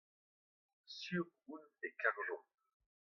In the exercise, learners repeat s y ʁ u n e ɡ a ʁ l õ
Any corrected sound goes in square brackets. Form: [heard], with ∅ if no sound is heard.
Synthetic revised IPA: s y ʁ u n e [k] a ʁ l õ